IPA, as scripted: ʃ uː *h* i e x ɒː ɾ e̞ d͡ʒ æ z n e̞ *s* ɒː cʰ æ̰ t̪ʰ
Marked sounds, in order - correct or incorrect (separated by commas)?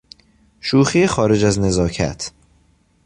incorrect, incorrect